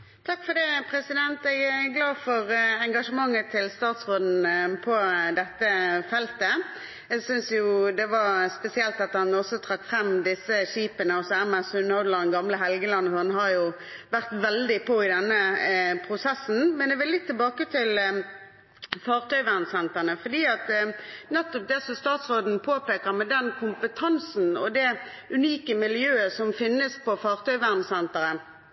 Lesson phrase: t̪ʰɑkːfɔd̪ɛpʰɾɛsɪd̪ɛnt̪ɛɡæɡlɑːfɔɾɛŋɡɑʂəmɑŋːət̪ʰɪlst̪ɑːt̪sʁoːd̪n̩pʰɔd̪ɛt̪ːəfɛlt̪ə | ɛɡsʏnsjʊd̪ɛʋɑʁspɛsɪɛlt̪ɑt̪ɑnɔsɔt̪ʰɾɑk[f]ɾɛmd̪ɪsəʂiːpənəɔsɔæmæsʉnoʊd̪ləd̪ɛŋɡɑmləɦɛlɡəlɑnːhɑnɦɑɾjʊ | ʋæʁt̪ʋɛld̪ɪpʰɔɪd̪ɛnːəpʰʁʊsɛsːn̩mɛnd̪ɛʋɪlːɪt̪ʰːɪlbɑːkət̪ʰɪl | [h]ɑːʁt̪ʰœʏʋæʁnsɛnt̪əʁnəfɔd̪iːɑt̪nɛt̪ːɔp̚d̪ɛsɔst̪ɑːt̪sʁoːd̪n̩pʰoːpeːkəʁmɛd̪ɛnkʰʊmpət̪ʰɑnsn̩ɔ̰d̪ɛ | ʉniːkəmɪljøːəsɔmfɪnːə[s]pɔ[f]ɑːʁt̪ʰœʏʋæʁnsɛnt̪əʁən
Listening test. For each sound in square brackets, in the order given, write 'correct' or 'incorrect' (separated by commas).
correct, incorrect, correct, correct